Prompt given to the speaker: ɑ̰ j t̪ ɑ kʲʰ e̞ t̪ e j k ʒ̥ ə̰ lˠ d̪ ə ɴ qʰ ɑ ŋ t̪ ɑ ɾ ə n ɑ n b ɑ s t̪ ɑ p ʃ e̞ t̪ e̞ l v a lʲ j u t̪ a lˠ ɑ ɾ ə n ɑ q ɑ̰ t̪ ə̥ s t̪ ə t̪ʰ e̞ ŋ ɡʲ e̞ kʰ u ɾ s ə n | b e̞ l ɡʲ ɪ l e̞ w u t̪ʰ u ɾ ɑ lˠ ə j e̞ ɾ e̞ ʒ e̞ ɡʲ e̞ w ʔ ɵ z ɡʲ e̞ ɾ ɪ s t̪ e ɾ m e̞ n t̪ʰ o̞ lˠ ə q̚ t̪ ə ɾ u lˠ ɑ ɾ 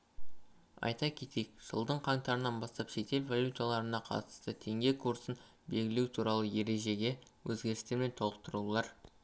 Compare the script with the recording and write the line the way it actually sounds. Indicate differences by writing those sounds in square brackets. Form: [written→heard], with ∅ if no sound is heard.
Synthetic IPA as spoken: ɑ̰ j t̪ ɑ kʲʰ e̞ t̪ e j k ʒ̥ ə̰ lˠ d̪ ə ɴ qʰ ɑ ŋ t̪ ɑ ɾ ə n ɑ n b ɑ s t̪ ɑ p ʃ e̞ t̪ e̞ l v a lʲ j u t̪ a lˠ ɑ ɾ ə n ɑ [q→qʰ] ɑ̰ t̪ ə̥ s t̪ ə t̪ʰ e̞ ŋ ɡʲ e̞ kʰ u ɾ s ə n | b e̞ l ɡʲ ɪ l e̞ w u t̪ʰ u ɾ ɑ lˠ ə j e̞ ɾ e̞ ʒ e̞ ɡʲ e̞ w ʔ ɵ z ɡʲ e̞ ɾ ɪ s t̪ e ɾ m e̞ n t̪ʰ o̞ lˠ ə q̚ t̪ ə ɾ u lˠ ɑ ɾ